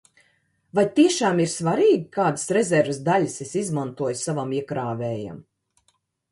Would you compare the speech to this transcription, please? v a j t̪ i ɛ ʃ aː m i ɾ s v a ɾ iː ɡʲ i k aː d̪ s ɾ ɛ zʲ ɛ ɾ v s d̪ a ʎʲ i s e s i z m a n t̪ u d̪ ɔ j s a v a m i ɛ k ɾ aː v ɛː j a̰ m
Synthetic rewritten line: v a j t̪ i ɛ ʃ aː m i ɾ s v a ɾ iː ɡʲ i k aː d̪ s ɾ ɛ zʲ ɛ ɾ v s d̪ a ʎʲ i s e s i z m a n t̪ u ɔ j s a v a m i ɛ k ɾ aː v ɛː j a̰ m